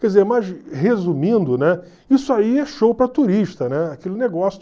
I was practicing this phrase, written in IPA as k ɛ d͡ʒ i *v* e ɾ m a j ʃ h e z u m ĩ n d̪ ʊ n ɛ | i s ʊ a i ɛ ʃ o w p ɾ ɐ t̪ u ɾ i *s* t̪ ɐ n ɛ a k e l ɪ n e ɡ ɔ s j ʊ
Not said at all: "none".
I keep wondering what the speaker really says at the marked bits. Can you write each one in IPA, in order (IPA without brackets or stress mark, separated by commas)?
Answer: z, ʃ